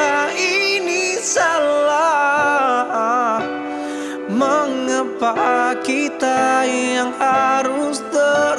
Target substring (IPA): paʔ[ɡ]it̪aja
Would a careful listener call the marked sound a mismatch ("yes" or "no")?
yes